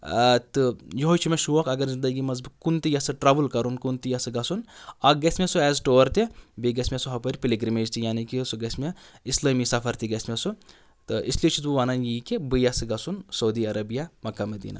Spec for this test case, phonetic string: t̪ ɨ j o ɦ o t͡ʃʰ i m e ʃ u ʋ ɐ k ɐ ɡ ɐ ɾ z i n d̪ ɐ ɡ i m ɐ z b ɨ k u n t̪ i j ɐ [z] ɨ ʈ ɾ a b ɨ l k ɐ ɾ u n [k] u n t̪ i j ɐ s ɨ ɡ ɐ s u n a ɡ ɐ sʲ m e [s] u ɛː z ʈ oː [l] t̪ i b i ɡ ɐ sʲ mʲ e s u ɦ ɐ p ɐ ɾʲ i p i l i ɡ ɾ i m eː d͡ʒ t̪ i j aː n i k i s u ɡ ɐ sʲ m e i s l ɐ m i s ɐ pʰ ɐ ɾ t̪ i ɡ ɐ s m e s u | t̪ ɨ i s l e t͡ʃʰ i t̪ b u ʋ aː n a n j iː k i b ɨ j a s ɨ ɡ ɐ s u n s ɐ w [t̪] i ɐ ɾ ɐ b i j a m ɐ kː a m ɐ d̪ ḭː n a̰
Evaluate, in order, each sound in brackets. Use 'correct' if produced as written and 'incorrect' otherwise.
incorrect: s, correct, correct, incorrect: ɾ, incorrect: d̪

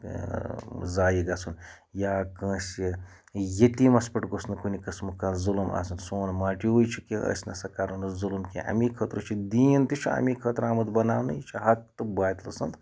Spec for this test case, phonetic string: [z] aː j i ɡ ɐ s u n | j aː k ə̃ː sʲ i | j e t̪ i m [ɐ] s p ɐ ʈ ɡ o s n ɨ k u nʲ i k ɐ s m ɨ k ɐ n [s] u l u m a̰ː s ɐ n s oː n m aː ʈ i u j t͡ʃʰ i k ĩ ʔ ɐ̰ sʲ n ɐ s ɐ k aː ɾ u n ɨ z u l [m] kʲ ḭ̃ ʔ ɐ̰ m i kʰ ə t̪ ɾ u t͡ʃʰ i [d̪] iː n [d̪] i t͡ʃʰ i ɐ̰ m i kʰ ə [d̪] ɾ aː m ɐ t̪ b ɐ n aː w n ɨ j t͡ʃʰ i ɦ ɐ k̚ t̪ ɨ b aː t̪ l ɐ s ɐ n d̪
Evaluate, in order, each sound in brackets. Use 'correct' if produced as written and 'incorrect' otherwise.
correct, correct, incorrect: z, correct, correct, incorrect: t̪, incorrect: t̪

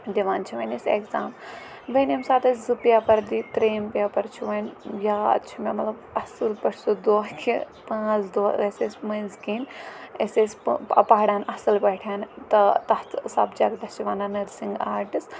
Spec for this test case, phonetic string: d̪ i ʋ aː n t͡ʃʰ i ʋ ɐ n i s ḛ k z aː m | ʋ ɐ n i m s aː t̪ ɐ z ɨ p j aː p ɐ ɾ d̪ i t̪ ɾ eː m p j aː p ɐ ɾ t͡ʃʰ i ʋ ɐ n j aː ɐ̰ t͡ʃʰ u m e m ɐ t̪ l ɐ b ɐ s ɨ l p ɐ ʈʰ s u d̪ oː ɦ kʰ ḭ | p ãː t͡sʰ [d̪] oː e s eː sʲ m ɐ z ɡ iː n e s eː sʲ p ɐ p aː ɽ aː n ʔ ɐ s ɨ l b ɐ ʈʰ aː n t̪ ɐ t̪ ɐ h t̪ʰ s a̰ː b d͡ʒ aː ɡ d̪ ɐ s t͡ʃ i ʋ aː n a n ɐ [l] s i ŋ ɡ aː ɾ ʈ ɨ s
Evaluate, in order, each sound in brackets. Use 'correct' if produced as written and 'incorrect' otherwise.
correct, incorrect: ɾ

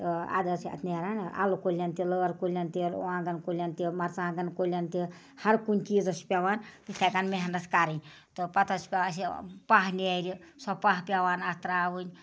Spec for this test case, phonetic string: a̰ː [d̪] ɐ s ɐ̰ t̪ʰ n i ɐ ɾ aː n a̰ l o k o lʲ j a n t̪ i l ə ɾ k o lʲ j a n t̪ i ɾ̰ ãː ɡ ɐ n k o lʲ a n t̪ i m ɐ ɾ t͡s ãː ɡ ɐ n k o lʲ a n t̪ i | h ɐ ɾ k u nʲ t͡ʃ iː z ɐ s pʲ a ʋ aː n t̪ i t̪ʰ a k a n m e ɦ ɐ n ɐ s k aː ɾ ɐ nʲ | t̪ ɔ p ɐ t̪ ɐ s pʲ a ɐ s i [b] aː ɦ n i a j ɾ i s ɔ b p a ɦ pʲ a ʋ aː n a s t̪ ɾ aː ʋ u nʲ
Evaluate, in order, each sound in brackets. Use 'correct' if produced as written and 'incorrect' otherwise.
correct, incorrect: p

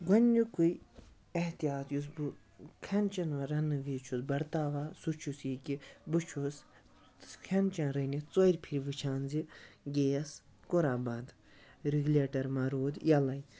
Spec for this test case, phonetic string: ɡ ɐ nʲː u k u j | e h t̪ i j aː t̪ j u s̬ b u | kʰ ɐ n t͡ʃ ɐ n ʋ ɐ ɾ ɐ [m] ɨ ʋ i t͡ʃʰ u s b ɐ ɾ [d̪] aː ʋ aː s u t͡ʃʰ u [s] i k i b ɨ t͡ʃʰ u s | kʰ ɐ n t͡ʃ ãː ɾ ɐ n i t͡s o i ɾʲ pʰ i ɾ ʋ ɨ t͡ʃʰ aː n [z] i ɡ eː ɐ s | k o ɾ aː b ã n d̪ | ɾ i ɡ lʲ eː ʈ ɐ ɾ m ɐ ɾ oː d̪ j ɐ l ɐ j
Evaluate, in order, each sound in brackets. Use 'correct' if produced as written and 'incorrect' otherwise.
incorrect: n, incorrect: t̪, correct, correct

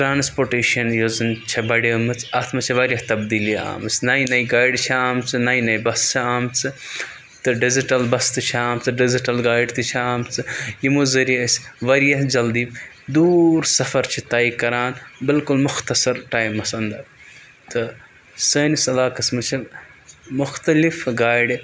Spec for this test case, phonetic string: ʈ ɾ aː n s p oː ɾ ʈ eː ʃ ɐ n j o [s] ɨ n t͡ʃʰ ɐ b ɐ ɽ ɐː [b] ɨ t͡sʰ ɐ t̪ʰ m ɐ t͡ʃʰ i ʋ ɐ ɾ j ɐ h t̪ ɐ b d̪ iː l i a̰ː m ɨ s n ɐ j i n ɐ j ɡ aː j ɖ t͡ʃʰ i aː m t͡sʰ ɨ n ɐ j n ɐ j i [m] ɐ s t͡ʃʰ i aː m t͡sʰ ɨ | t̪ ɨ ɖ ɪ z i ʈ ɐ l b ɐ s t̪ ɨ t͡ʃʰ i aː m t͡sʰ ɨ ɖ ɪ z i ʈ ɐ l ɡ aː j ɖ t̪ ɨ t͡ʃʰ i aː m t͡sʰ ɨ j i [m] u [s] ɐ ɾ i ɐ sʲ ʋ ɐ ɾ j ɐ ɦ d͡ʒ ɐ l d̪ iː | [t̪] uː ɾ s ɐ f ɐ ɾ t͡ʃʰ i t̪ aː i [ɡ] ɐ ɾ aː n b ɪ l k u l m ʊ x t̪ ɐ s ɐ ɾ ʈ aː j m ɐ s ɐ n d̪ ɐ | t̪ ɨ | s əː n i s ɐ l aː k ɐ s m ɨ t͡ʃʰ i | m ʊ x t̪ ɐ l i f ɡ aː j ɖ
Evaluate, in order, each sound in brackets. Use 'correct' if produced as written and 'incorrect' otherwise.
incorrect: z, incorrect: m, incorrect: b, correct, incorrect: z, incorrect: d̪, incorrect: k

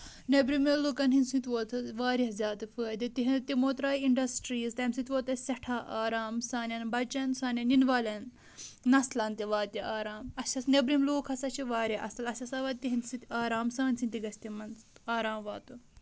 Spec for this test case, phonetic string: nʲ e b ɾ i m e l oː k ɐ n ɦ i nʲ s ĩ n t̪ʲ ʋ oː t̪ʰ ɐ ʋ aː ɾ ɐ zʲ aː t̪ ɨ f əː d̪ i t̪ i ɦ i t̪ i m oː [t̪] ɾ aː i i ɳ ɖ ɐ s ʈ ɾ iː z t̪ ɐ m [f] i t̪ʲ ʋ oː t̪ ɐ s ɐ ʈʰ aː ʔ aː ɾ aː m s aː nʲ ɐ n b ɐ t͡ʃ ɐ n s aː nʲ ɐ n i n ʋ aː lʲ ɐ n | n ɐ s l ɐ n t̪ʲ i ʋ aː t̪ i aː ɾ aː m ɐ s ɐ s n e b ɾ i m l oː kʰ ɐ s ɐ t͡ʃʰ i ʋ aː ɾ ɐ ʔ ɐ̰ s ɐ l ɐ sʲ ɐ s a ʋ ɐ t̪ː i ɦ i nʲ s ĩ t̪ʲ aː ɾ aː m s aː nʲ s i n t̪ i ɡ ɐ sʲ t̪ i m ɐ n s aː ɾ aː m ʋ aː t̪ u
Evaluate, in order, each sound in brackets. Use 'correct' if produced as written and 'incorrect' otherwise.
correct, incorrect: s

